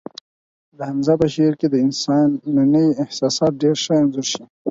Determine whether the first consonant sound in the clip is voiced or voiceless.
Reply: voiced